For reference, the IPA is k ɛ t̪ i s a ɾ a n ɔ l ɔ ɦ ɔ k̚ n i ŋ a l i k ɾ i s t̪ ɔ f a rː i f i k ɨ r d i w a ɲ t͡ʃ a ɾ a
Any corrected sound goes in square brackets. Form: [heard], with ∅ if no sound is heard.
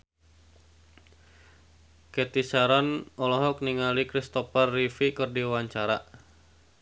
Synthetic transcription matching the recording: k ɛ t̪ i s a ɾ a n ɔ l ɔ ɦ ɔ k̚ n i ŋ a l i k ɾ i s t̪ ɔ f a rː i f i k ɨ r d i w a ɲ t͡ʃ a ɾ a